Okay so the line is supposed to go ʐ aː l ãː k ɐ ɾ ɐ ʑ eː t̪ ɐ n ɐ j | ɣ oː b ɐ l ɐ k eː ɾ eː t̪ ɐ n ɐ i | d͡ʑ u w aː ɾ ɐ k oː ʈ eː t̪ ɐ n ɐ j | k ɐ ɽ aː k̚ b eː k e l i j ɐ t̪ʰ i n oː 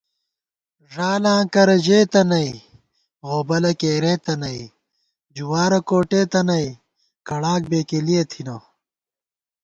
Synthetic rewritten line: ʐ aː l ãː k ɐ ɾ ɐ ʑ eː t̪ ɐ n ɐ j | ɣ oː b ɐ l ɐ k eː ɾ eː t̪ ɐ n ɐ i | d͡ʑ u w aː ɾ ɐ k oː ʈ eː t̪ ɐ n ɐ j | k ɐ ɽ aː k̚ b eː k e l i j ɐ t̪ʰ i n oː